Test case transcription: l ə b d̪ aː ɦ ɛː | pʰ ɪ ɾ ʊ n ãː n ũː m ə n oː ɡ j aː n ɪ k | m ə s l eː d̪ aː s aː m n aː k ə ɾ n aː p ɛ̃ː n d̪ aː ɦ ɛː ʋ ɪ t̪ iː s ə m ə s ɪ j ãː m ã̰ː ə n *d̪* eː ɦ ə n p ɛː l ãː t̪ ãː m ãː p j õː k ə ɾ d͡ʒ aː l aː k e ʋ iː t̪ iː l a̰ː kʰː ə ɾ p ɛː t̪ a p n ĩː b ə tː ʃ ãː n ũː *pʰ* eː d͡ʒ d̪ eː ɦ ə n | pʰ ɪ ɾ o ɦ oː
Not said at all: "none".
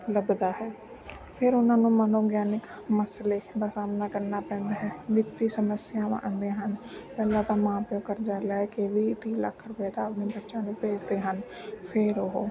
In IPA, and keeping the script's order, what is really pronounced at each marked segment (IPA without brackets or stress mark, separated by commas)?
d̪, p